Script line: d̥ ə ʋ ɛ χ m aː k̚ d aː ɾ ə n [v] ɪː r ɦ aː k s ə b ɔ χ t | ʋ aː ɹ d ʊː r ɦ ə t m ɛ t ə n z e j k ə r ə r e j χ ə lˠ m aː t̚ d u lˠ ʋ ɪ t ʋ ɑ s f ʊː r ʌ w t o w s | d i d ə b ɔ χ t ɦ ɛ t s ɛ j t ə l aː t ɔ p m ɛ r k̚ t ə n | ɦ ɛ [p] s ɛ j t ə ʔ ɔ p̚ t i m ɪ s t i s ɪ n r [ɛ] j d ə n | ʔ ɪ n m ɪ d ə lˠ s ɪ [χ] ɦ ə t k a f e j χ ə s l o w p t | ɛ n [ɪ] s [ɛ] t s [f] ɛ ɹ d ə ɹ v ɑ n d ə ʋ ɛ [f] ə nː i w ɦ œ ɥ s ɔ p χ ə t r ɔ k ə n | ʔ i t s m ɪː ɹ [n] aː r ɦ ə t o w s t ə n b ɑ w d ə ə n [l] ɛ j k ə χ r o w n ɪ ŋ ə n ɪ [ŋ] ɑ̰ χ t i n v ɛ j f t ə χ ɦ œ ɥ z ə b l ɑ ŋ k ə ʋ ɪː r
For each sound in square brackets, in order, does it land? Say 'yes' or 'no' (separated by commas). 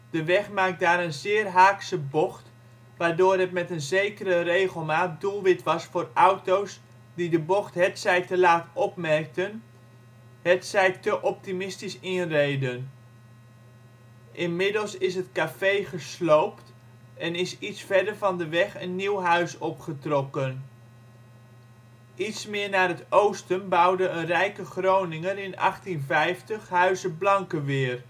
no, no, no, no, yes, no, yes, no, yes, no, no